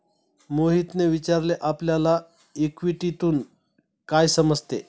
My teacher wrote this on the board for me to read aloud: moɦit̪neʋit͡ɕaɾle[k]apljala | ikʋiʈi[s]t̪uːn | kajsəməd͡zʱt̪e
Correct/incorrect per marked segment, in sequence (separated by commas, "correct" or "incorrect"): incorrect, incorrect